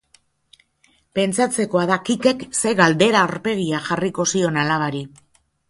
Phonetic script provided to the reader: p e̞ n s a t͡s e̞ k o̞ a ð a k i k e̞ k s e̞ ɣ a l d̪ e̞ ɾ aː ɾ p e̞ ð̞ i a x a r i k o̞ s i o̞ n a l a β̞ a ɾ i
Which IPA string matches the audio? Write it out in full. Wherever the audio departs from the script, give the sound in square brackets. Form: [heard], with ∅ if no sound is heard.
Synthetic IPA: p e̞ n [t͡s] a t͡s e̞ k o̞ a ð a k i k e̞ k s e̞ ɣ a l d̪ e̞ ɾ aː ɾ p e̞ [ɣ̞] i a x a r i k o̞ s i o̞ n a l a β̞ a ɾ i